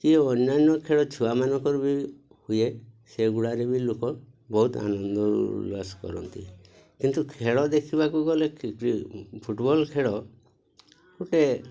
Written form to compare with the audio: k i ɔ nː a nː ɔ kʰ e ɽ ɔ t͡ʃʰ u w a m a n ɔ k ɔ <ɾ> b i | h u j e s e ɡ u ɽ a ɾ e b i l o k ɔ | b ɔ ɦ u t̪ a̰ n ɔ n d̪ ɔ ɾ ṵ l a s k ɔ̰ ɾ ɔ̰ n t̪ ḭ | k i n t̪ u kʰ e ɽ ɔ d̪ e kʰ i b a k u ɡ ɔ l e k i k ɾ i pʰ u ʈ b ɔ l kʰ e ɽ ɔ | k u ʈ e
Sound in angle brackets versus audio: correct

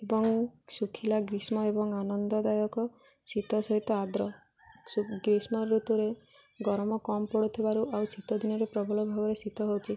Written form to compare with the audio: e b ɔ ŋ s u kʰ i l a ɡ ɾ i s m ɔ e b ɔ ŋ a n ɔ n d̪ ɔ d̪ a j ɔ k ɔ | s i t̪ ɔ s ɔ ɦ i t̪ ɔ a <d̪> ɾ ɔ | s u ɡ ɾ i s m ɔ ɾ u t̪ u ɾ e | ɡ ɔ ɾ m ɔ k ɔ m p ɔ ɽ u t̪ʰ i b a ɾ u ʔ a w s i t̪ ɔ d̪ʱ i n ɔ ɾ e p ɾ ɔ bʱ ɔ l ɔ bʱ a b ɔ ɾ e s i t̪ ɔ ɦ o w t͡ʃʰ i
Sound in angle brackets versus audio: correct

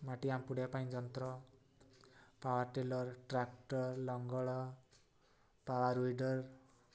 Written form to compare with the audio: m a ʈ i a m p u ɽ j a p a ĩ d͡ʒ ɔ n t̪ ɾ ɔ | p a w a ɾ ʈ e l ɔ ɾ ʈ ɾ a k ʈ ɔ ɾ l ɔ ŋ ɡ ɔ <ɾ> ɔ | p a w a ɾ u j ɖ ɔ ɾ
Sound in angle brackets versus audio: incorrect: ɭ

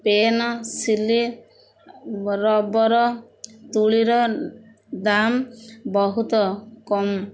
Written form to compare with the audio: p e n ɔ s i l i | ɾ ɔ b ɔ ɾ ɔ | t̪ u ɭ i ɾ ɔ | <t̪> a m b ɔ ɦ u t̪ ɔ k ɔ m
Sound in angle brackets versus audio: incorrect: d̪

